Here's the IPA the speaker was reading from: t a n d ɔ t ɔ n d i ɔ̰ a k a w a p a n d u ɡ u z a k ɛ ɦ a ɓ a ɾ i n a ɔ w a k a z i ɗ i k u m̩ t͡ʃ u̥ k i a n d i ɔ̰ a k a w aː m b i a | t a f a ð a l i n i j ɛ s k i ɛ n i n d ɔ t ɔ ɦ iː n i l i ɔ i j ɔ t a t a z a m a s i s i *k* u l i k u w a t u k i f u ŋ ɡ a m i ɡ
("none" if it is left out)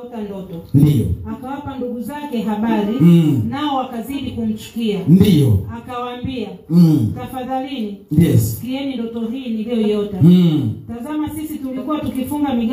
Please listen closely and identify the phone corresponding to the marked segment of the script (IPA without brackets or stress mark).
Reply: t